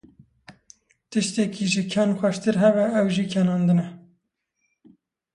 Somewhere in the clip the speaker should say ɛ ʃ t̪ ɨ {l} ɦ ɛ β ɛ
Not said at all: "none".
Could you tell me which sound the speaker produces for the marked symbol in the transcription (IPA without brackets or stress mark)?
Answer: ɾ